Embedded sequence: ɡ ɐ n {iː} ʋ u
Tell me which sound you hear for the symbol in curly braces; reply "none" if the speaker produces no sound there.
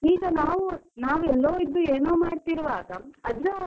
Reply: aː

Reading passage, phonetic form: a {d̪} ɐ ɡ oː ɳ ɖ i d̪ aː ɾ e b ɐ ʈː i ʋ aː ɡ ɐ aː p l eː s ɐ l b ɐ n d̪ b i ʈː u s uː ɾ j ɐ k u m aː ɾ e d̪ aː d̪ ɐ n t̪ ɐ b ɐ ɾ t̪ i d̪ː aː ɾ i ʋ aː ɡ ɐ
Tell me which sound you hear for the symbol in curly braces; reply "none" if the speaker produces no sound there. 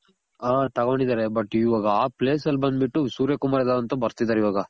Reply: t̪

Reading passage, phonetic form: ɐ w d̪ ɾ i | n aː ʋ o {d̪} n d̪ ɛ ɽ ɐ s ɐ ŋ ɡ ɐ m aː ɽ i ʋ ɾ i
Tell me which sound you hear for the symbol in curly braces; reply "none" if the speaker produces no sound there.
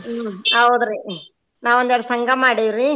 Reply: none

